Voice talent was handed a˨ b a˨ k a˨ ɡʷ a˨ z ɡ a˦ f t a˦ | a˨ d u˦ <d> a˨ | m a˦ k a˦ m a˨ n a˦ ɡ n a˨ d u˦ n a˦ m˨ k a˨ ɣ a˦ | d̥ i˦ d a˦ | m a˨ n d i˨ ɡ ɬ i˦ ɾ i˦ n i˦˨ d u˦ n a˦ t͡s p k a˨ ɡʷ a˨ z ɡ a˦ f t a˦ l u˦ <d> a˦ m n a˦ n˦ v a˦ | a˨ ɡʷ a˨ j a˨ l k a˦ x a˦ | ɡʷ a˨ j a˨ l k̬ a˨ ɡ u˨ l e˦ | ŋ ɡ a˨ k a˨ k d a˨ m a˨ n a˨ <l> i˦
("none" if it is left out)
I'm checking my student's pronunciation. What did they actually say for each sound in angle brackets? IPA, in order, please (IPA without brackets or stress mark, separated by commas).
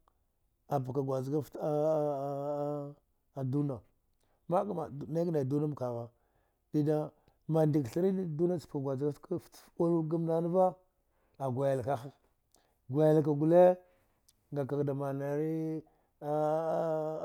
n, ɡ, ɾ